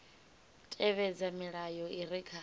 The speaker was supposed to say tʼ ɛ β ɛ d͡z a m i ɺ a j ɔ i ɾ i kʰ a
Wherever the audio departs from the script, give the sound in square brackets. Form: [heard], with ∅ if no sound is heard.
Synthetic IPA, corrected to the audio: tʼ ɛ β ɛ d͡z a m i ɺ a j ɔ i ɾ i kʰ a